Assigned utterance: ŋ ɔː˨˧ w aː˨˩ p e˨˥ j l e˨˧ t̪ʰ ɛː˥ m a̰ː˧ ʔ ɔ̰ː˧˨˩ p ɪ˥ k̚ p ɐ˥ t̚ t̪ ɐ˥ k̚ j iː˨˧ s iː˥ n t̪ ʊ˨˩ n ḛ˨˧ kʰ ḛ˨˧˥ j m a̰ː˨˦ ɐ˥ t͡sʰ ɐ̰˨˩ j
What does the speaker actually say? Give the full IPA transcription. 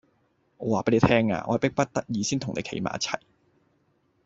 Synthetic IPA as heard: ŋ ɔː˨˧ w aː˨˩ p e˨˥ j l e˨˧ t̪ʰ ɛː˥ ŋ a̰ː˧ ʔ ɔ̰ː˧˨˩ p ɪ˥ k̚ p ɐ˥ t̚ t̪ ɐ˥ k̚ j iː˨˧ s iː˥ n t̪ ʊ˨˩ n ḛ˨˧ kʰ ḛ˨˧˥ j m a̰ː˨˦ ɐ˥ t͡sʰ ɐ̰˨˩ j

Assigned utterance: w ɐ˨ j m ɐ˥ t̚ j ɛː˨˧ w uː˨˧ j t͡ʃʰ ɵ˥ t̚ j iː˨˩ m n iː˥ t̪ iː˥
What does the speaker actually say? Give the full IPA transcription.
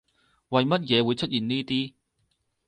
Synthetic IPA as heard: w ɐ˨ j m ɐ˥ t̚ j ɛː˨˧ w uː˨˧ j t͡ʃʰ ɵ˥ t̚ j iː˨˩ n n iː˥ t̪ iː˥

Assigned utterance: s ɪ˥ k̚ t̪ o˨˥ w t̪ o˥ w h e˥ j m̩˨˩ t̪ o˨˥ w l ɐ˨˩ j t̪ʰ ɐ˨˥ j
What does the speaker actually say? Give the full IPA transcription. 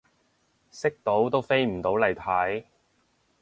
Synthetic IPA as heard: s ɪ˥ k̚ t̪ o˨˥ w t̪ o˥ w f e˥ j m̩˨˩ t̪ o˨˥ w l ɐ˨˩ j t̪ʰ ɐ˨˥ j

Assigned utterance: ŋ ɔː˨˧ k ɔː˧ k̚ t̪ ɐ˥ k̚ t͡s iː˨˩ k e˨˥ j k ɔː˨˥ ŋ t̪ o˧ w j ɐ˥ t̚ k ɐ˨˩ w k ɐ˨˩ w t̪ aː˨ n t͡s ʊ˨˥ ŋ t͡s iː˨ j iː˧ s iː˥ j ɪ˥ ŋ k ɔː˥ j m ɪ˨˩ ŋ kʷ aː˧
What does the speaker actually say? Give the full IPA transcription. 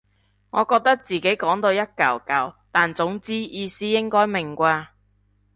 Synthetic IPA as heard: ŋ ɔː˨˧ k ɔː˧ k̚ t̪ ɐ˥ k̚ t͡s iː˨˩ k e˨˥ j k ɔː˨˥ ŋ t̪ o˧ w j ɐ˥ t̚ k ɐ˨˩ w k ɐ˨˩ w t̪ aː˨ n t͡s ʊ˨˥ ŋ t͡s iː˥ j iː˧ s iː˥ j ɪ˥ ŋ k ɔː˥ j m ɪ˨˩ ŋ kʷ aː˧

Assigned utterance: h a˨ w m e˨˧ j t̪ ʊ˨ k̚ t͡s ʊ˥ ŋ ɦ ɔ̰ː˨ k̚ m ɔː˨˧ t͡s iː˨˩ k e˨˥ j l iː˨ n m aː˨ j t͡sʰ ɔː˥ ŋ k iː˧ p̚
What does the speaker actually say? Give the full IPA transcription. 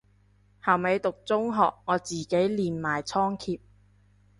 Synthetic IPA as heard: h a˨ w m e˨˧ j t̪ ʊ˨ k̚ t͡s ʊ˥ ŋ ɦ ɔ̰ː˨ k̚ ŋ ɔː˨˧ t͡s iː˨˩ k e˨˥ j l iː˨ n m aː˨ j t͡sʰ ɔː˥ ŋ kʰ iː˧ p̚

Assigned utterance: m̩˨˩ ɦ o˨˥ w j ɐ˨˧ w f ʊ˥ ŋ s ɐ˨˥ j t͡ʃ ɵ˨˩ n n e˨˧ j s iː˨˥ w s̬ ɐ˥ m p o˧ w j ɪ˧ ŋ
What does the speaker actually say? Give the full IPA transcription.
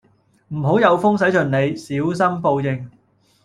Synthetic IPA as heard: m̩˨˩ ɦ o˨˥ w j ɐ˨˧ w f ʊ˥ ŋ s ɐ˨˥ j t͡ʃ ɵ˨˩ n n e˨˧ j s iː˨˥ w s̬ ɐ˥ m p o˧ w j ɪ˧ ŋ

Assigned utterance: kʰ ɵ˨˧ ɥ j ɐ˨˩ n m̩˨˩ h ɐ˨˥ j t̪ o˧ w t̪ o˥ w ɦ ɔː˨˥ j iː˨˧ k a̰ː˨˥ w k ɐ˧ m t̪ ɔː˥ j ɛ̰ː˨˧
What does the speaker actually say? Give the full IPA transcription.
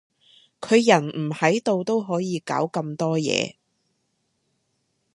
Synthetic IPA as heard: kʰ ɵ˨˧ ɥ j ɐ˨˩ n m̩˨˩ h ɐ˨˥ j t̪ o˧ w t̪ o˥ w ɦ ɔː˨˥ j iː˨˧ k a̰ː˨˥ w k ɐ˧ m t̪ ɔː˥ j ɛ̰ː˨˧

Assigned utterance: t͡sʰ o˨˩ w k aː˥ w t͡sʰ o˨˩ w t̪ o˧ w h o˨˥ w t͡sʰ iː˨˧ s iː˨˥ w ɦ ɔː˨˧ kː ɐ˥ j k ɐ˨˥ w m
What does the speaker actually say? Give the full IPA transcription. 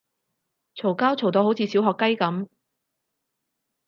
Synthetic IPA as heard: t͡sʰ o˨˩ w k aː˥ w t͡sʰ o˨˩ w t̪ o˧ w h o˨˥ w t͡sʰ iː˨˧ s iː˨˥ w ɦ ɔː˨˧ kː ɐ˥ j k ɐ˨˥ m

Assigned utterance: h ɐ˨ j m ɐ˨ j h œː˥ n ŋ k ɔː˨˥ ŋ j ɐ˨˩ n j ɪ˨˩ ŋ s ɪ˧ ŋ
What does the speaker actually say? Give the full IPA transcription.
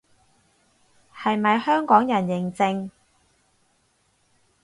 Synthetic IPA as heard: h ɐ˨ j m ɐ˨ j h œː˥ ŋ k ɔː˨˥ ŋ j ɐ˨˩ n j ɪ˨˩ ŋ t͡s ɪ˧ ŋ

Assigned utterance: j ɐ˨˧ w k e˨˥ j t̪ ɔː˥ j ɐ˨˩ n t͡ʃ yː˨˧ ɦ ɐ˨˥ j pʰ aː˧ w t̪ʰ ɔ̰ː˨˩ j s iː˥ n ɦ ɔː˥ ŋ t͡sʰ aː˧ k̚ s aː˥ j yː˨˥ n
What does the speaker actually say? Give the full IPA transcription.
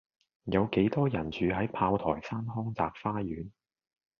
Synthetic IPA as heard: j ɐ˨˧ w k e˨˥ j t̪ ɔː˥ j ɐ˨˩ n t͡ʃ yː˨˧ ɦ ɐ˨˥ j pʰ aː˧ w t̪ʰ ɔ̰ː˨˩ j s aː˥ n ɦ ɔː˥ ŋ t͡s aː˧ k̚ f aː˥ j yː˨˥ n

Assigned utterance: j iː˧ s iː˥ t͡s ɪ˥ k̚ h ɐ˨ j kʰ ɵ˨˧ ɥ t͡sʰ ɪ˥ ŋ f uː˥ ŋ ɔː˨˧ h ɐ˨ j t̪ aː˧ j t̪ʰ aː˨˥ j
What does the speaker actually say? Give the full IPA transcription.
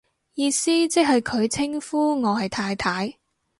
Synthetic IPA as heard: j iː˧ s iː˥ t͡s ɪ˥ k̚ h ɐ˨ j kʰ ɵ˨˧ ɥ t͡sʰ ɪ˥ ŋ f uː˥ ŋ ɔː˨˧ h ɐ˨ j t̪ʰ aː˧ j t̪ʰ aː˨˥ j

